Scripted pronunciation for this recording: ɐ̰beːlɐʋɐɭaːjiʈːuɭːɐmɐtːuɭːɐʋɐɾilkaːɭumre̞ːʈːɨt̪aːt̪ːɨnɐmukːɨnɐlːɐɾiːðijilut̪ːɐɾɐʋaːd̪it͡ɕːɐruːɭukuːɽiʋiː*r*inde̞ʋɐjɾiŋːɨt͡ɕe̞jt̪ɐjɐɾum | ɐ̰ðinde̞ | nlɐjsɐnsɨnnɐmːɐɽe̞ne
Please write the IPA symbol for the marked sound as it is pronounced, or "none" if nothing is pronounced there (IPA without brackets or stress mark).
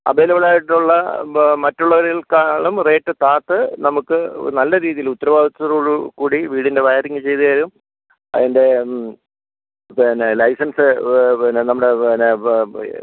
ɽ